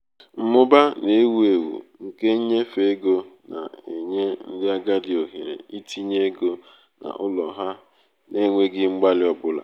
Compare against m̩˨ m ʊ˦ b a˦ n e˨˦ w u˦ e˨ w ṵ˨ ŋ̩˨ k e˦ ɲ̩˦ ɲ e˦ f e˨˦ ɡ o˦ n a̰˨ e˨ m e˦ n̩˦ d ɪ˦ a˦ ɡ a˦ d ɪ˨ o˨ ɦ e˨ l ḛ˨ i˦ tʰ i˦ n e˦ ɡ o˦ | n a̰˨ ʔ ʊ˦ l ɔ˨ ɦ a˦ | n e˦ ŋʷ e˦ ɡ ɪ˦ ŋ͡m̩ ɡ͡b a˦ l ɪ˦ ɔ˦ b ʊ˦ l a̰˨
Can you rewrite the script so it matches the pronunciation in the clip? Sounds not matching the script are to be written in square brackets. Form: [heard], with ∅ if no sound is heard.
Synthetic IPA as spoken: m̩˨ m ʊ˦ b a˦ n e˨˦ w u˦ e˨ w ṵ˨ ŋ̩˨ k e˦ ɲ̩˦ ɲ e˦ f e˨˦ ɡ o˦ n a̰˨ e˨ [ɲ] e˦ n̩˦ d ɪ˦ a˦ ɡ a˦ d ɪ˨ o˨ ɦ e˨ [ɾ] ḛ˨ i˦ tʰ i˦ [ɲ] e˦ ɡ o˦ | n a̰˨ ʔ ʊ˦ l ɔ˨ ɦ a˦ | n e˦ ŋʷ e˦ ɡ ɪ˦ ŋ͡m̩ ɡ͡b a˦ l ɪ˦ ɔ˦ b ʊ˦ l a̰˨